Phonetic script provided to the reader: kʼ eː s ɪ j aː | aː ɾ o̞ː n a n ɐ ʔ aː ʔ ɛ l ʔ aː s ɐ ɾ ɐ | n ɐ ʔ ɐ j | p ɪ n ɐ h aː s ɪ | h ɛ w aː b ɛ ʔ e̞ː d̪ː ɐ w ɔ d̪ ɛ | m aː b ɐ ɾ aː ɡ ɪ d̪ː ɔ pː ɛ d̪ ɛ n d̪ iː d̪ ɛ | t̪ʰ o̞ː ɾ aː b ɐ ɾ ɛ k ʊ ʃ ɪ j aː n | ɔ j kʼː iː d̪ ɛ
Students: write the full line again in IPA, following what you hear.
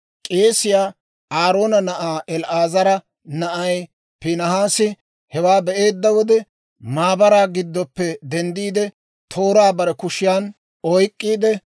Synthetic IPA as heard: kʼ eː s ɪ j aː | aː ɾ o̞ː n ɐ n ɐ ʔ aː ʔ ɛ l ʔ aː z ɐ ɾ ɐ | n ɐ ʔ ɐ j | p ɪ n ɐ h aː s ɪ | h ɛ w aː b ɛ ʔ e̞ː d̪ː ɐ w ɔ d̪ ɛ | m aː b ɐ ɾ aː ɡ ɪ d̪ː ɔ pː ɛ d̪ ɛ n d̪ iː d̪ ɛ | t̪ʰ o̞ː ɾ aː b ɐ ɾ ɛ k ʊ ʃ ɪ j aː n | ɔ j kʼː iː d̪ ɛ